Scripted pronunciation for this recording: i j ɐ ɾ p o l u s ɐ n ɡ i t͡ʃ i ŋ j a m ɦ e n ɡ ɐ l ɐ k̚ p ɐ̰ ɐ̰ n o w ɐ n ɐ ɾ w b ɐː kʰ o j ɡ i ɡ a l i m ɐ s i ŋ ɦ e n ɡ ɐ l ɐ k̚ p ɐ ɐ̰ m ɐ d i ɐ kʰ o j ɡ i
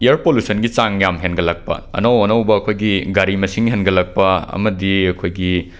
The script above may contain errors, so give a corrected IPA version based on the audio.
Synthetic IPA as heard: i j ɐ ɾ p o l u s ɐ n ɡ i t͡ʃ a ŋ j a m ɦ e n ɡ ɐ l ɐ k̚ p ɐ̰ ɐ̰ n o w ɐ n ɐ w b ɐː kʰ o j ɡ i ɡ a ɾ i m ɐ s i ŋ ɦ e n ɡ ɐ l ɐ k̚ p ɐ ɐ̰ m ɐ d i ɐ kʰ o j ɡ i